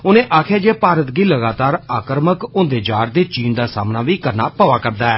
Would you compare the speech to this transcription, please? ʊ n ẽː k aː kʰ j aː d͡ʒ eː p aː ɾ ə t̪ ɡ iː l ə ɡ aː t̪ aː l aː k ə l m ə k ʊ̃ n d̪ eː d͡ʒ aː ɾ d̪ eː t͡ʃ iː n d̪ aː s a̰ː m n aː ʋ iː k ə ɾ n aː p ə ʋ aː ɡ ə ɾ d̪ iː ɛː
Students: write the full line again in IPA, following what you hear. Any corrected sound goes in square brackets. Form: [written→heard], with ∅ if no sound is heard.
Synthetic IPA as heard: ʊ n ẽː [k→ʔ] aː kʰ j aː d͡ʒ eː p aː ɾ ə t̪ ɡ iː l ə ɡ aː t̪ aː [l→ɾ] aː k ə [l→ɾ] m ə k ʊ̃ n d̪ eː d͡ʒ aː ɾ d̪ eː t͡ʃ iː n d̪ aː s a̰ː m n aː ʋ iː k ə ɾ n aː p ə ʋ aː [ɡ→k] ə ɾ d̪ [iː→aː] ɛː

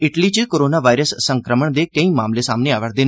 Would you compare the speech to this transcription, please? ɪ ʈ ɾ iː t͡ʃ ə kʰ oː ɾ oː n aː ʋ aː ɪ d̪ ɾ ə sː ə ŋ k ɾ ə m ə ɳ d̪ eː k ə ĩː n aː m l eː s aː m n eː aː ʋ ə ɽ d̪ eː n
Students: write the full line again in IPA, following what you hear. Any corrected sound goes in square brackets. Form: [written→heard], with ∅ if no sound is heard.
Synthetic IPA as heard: ɪ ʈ [ɾ→l] iː t͡ʃ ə [kʰ→k] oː ɾ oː n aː ʋ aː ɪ [d̪→∅] ɾ ə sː ə ŋ k ɾ ə m ə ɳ d̪ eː k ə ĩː [n→m] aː m l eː s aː m n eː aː ʋ ə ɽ d̪ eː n

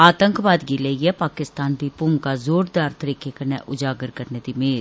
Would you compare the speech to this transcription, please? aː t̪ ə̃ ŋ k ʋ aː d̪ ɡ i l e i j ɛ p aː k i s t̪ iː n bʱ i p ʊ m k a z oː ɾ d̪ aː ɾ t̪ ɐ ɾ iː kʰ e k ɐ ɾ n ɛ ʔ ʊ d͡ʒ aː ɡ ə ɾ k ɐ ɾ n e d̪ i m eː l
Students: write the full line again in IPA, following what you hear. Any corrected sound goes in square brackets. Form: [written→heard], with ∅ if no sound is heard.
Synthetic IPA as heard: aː t̪ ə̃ ŋ k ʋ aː d̪ ɡ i l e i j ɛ p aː k [i→ɪ] s t̪ [iː→aː] n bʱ i p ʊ m k a z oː ɾ d̪ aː ɾ t̪ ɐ ɾ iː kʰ e k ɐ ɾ n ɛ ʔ ʊ d͡ʒ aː ɡ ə ɾ k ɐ ɾ n e d̪ i m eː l

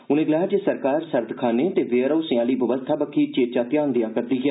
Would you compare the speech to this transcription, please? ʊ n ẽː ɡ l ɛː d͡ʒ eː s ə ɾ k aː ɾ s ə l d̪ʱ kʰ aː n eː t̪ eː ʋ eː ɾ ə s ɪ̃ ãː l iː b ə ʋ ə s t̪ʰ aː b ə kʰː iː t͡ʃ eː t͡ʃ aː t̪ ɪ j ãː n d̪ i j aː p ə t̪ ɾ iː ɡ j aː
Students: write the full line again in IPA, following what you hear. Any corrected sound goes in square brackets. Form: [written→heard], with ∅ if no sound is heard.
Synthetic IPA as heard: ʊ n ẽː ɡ l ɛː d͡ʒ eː s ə ɾ k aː ɾ s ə [l→ɾ] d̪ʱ kʰ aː n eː t̪ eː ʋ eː ɾ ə s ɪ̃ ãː l iː b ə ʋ ə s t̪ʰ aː b ə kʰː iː t͡ʃ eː t͡ʃ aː t̪ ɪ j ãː n d̪ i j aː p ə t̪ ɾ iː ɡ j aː

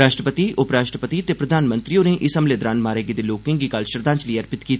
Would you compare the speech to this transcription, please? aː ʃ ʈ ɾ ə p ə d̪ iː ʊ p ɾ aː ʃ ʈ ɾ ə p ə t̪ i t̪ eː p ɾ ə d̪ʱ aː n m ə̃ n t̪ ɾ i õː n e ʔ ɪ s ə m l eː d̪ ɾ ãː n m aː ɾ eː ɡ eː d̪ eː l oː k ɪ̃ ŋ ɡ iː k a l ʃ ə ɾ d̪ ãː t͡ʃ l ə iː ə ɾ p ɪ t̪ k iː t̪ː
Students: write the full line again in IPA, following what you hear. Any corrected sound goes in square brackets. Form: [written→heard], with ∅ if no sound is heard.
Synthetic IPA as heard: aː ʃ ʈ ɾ ə p ə [d̪→t̪] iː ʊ p ɾ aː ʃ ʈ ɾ ə p ə t̪ i t̪ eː p ɾ ə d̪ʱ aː n m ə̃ n t̪ ɾ i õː n e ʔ ɪ s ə m l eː d̪ ɾ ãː n m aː ɾ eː ɡ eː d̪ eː l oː k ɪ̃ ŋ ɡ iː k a l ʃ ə ɾ d̪ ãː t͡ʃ l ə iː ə ɾ p ɪ t̪ k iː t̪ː

